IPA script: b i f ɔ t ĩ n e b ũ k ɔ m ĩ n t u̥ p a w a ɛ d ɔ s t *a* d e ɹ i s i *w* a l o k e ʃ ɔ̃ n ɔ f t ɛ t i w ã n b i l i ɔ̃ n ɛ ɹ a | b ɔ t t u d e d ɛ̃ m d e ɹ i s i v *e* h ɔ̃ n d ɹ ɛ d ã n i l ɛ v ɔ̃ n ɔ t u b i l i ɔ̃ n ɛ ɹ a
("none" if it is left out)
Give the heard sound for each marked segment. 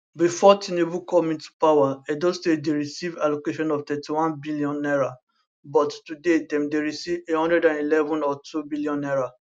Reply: e, v, e

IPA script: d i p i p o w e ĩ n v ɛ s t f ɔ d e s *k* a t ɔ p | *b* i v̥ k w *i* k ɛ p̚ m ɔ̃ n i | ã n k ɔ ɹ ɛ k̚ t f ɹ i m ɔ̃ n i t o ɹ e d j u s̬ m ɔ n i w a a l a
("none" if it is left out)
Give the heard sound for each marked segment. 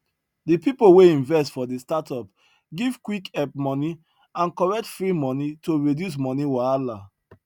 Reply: t, ɡ, i

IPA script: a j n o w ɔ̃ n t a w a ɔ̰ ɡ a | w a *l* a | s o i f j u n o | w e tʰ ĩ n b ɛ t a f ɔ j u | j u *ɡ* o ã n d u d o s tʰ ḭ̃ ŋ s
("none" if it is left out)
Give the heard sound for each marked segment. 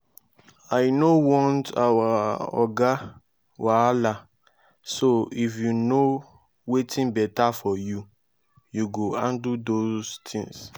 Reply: l, ɡ

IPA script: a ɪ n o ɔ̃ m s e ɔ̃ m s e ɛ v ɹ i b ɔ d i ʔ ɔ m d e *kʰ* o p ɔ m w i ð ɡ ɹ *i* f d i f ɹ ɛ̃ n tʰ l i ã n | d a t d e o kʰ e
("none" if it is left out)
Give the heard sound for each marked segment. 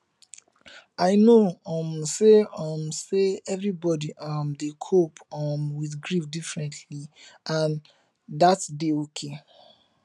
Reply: kʰ, i

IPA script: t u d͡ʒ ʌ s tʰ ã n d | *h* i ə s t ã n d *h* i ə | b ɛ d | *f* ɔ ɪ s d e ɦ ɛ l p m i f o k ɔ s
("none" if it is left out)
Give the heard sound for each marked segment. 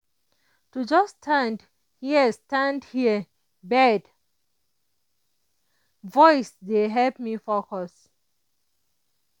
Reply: h, h, v

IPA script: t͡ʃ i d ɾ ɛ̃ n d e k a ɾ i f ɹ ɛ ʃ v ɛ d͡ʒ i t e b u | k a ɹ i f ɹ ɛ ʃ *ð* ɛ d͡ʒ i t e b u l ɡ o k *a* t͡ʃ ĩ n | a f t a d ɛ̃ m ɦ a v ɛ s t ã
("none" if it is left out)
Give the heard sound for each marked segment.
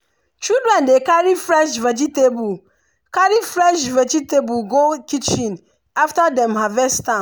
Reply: v, i

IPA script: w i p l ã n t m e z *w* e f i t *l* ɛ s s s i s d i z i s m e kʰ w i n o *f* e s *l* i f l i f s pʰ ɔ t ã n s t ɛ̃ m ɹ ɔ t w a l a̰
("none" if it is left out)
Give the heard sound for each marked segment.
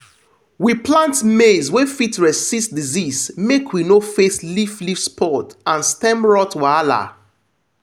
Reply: w, ɹ, f, l

